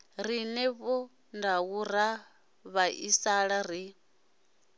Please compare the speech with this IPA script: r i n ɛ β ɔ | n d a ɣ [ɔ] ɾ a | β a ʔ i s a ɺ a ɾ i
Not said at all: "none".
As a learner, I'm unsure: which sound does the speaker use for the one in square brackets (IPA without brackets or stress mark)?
u